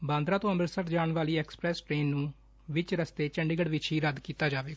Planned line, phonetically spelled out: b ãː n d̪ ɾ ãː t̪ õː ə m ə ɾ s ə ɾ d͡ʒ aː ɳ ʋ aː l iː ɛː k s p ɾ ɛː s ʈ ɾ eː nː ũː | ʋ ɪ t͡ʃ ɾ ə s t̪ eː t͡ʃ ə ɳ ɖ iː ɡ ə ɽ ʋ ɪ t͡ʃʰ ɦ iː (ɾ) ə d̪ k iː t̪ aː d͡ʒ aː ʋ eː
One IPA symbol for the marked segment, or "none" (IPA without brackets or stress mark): ɾ